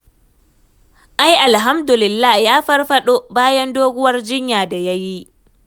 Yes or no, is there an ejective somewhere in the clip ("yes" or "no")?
no